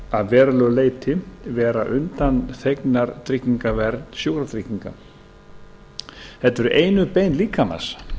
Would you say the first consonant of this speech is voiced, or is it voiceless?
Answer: voiced